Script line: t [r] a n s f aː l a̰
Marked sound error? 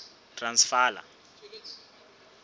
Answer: no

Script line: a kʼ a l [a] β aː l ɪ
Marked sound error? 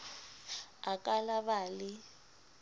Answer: no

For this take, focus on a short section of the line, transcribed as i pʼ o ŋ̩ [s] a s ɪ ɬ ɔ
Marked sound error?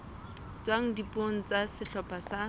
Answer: yes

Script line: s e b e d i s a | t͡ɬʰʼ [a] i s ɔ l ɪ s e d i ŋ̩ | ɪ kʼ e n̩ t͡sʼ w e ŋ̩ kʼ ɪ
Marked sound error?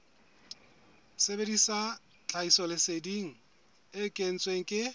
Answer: no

